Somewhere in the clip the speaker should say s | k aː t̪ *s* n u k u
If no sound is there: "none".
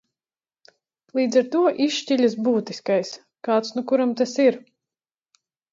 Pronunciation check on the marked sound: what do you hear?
s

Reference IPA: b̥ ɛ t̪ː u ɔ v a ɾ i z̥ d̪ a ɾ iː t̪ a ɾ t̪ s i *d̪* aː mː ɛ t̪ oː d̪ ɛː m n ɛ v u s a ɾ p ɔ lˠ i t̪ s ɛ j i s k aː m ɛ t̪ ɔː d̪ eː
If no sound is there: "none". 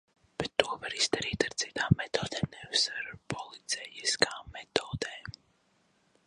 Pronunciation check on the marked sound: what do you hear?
t̪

